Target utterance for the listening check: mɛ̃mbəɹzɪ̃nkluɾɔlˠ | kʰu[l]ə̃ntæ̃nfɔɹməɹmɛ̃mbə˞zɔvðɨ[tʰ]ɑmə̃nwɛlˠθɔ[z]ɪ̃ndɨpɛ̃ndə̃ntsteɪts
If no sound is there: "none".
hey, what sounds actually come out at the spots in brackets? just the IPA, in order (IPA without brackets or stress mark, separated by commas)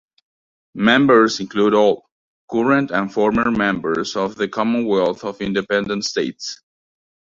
ɹ, kʰ, v